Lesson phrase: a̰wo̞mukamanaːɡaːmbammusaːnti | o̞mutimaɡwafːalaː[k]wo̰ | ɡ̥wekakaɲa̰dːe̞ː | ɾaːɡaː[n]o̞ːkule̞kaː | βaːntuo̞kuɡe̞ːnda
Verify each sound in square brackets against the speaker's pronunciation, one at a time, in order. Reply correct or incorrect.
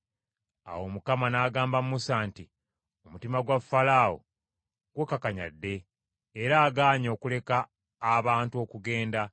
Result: incorrect, incorrect

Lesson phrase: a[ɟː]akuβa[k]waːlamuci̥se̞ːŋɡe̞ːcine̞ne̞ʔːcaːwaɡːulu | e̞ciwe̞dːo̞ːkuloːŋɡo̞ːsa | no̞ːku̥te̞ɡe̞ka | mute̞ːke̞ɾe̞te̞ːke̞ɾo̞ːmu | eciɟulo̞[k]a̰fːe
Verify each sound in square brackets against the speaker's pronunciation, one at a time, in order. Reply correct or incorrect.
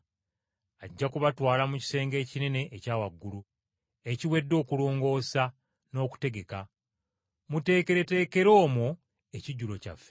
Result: correct, incorrect, incorrect

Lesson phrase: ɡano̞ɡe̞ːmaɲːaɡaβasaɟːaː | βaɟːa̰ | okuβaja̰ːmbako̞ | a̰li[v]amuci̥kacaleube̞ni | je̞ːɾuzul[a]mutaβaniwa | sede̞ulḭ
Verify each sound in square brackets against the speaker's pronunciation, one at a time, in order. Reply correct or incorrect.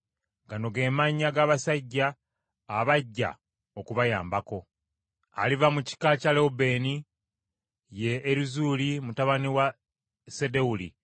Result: correct, incorrect

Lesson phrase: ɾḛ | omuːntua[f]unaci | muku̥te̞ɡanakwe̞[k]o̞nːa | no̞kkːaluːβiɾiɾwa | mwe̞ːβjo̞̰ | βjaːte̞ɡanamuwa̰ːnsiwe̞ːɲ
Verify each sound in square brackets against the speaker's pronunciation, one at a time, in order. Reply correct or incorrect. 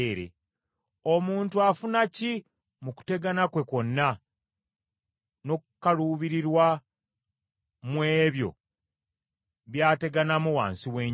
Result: correct, correct

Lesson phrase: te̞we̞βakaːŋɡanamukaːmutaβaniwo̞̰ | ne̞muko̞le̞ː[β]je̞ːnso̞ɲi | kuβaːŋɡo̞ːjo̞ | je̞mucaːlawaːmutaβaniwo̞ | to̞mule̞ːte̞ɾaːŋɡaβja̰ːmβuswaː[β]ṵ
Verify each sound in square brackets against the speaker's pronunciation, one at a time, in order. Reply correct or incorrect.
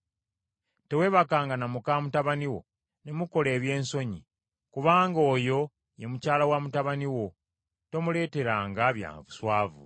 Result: correct, incorrect

